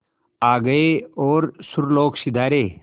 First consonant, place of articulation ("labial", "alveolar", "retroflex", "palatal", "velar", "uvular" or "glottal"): velar